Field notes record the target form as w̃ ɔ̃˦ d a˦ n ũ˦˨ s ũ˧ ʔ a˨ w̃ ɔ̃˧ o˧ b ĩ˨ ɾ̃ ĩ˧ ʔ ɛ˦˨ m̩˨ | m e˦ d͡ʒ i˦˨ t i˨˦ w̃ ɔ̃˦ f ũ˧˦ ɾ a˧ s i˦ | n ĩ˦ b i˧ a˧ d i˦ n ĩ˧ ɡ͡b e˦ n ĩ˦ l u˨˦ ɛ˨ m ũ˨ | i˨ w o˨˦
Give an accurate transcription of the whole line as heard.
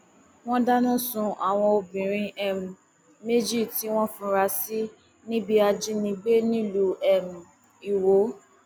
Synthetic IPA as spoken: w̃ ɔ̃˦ d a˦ n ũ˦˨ s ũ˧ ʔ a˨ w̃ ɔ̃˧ o˧ b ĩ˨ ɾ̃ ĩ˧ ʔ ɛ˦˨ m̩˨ | m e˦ d͡ʒ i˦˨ t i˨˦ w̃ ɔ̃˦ f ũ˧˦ ɾ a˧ s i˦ | n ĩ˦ b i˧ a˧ d͡ʒ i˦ n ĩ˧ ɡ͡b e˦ n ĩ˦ l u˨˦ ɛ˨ m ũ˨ | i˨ w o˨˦